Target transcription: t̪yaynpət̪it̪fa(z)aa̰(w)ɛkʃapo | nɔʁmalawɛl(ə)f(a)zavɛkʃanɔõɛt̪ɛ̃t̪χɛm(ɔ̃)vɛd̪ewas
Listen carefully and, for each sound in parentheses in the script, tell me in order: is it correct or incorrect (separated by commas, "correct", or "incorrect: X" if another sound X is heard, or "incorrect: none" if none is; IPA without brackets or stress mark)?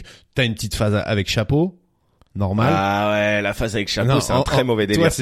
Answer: correct, incorrect: v, incorrect: a, correct, incorrect: ɔ